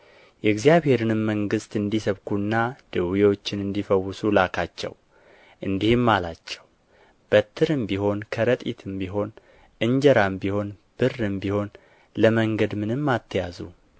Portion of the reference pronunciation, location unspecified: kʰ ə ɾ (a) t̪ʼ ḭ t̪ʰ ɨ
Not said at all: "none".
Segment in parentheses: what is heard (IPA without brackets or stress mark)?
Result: ə